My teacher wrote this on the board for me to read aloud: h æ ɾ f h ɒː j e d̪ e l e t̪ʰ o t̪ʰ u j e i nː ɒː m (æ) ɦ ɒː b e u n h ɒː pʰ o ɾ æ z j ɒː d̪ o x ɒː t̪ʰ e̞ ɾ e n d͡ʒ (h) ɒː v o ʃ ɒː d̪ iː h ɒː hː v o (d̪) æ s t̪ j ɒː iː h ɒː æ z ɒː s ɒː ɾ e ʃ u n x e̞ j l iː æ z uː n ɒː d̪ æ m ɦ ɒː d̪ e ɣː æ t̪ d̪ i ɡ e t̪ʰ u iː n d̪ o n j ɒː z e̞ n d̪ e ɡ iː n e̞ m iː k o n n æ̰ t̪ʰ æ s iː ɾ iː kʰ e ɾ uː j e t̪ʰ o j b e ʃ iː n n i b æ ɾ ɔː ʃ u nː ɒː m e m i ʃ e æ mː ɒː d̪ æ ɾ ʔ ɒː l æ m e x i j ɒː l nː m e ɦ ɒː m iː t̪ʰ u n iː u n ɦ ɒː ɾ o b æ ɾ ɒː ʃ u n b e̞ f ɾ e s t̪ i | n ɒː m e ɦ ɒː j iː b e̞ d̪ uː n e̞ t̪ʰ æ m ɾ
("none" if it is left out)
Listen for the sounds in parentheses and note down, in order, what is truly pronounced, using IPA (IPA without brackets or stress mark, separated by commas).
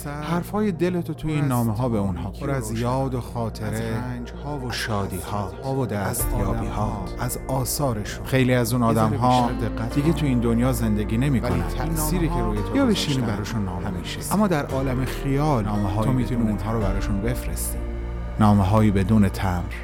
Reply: e, h, d̪